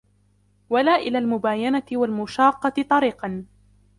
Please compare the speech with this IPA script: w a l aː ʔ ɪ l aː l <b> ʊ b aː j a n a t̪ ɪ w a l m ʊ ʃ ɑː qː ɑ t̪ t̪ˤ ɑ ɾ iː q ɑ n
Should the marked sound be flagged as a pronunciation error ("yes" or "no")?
yes